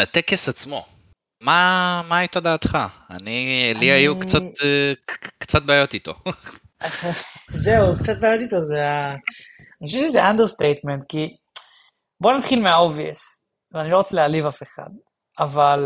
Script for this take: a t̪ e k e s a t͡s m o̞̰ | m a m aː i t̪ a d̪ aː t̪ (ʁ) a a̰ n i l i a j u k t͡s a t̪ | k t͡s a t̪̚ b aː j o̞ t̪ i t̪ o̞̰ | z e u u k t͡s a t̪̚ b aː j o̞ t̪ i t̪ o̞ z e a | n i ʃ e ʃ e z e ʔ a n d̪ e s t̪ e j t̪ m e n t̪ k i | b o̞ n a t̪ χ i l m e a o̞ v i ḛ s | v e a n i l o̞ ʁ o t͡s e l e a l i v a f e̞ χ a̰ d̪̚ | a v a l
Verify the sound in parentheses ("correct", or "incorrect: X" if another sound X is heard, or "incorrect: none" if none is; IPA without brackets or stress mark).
incorrect: χ